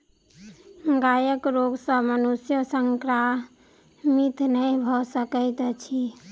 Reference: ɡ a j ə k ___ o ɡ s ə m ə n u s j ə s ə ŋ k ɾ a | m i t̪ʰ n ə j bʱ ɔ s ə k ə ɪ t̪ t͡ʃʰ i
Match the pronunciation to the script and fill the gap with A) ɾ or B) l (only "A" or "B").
A